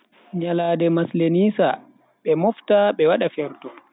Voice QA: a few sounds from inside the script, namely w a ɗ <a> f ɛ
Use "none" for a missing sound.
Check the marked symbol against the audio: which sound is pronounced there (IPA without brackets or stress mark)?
a